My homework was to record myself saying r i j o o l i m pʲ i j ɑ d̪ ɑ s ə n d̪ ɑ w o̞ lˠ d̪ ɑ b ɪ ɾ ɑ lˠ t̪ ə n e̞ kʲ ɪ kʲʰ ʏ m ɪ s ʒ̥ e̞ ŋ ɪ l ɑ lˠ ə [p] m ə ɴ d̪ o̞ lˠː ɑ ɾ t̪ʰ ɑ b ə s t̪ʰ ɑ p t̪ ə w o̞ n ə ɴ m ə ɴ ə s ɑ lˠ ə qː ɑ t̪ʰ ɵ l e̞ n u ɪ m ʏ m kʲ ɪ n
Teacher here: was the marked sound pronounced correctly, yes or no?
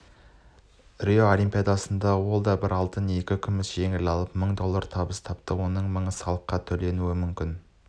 yes